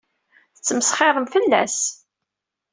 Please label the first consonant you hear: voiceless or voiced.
voiceless